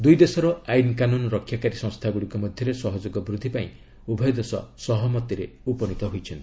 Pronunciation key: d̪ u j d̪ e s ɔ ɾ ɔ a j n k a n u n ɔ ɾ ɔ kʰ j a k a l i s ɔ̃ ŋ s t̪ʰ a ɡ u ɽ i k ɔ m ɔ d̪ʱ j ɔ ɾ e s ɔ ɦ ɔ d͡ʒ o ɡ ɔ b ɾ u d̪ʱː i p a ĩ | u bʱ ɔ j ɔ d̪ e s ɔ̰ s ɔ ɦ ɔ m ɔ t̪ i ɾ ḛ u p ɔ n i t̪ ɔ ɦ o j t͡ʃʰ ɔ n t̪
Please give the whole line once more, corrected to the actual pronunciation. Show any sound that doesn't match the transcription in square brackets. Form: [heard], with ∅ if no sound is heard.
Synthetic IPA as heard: d̪ u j d̪ e s ɔ ɾ ɔ a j n k a n u n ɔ ɾ ɔ kʰ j a k a [ɾ] i s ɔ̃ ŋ s t̪ʰ a ɡ u ɽ i k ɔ m ɔ d̪ʱ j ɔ ɾ e s ɔ ɦ ɔ d͡ʒ o ɡ ɔ b ɾ u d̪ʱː i p a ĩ | u bʱ ɔ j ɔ d̪ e s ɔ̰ s ɔ ɦ ɔ m ɔ t̪ i ɾ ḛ u p ɔ n i t̪ ɔ ɦ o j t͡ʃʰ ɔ n t̪

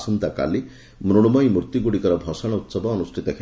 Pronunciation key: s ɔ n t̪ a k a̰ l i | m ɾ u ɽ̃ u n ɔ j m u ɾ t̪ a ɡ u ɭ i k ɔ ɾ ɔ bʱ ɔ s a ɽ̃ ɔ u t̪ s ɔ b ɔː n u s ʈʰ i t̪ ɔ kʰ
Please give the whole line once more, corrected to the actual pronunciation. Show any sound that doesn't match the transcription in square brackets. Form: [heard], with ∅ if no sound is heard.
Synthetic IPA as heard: s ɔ n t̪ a k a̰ l i | m ɾ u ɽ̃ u [m] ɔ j m u ɾ t̪ [i] ɡ u [ɽ] i k ɔ ɾ ɔ bʱ ɔ s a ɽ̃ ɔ u t̪ s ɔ b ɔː n u s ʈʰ i t̪ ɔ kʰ

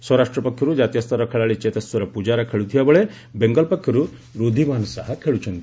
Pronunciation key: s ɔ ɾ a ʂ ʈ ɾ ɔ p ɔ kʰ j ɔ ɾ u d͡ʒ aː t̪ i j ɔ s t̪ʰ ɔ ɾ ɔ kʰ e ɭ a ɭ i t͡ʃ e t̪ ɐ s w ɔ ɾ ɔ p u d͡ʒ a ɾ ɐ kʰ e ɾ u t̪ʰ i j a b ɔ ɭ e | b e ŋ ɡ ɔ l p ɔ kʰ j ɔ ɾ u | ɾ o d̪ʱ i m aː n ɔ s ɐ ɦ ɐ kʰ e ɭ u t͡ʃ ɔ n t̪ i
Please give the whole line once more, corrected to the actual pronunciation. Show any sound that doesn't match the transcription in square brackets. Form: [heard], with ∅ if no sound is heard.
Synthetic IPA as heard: s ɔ ɾ a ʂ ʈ ɾ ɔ p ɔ kʰ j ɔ ɾ u d͡ʒ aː t̪ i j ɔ s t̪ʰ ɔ ɾ ɔ kʰ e ɭ a ɭ i t͡ʃ e t̪ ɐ s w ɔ ɾ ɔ p u d͡ʒ a ɾ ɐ kʰ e [ɭ] u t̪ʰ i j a b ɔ ɭ e | b e ŋ ɡ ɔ l p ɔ kʰ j ɔ ɾ u | ɾ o d̪ʱ i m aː n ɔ s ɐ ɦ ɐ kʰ e ɭ u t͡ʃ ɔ n t̪ i

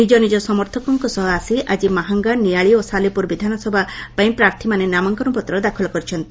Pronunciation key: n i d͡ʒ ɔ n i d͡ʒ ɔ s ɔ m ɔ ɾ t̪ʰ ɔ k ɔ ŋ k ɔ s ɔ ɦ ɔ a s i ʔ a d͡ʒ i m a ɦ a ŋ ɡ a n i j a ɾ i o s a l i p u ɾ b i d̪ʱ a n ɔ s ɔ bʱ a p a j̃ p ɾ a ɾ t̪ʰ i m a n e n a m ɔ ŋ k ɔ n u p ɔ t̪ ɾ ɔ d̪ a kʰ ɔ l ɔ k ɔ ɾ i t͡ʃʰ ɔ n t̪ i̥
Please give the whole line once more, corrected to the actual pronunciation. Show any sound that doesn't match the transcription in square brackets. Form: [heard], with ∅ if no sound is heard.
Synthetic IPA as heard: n i d͡ʒ ɔ n i d͡ʒ ɔ s ɔ m ɔ ɾ t̪ʰ ɔ k ɔ ŋ k ɔ s ɔ ɦ ɔ a s i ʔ a d͡ʒ i m a ɦ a ŋ ɡ a n i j a [ɭ] i o s a l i p u ɾ b i d̪ʱ a n ɔ s ɔ bʱ a p a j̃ p ɾ a ɾ t̪ʰ i m a n e n a m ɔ ŋ k ɔ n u p ɔ t̪ ɾ ɔ d̪ a kʰ ɔ l ɔ k ɔ ɾ i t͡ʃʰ ɔ n t̪ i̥

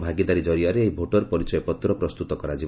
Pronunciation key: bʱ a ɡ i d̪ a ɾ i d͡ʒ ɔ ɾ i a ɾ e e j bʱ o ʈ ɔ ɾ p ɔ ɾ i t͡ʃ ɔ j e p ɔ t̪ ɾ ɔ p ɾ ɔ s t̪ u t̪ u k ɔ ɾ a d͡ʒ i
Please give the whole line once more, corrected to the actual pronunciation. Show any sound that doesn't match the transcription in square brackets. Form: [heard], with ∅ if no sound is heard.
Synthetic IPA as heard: bʱ a ɡ i d̪ a ɾ i d͡ʒ ɔ ɾ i a ɾ e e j bʱ o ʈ ɔ ɾ p ɔ ɾ i t͡ʃ ɔ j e p ɔ t̪ ɾ ɔ p ɾ ɔ s t̪ u t̪ [ɔ] k ɔ ɾ a d͡ʒ i

